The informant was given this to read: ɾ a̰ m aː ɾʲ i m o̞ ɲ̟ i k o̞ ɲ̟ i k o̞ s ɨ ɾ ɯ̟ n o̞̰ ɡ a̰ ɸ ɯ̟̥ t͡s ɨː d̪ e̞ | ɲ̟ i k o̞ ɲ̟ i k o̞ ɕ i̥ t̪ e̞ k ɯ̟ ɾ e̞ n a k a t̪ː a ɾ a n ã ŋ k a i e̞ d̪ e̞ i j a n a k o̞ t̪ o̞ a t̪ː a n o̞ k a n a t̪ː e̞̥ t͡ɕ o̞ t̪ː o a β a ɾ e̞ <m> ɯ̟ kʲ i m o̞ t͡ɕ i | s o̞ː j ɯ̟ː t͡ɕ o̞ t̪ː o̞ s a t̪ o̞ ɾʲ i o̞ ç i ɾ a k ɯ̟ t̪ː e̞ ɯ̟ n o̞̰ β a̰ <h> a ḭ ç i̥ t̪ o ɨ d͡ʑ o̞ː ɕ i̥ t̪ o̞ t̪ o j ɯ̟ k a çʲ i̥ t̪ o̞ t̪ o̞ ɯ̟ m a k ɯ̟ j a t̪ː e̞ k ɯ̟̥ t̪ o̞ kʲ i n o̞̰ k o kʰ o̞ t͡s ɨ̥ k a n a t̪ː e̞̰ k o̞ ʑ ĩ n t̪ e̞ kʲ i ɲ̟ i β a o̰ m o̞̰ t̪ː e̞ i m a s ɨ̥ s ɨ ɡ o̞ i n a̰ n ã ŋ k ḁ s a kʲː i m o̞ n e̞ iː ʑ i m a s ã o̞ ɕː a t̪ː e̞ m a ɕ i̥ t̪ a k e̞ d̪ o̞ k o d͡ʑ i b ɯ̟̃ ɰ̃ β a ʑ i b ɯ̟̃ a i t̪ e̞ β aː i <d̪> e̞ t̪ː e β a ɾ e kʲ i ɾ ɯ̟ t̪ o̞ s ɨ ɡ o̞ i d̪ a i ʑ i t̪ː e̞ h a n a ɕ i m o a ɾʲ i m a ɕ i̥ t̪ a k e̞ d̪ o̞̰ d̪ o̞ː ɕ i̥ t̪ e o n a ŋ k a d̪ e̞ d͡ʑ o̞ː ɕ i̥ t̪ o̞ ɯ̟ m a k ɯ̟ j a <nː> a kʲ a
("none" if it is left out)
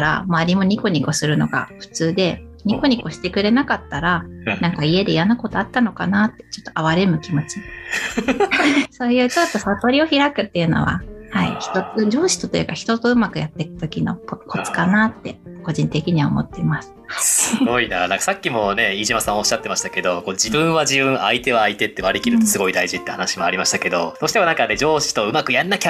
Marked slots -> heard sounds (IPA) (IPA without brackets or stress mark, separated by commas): m, h, t̪, nː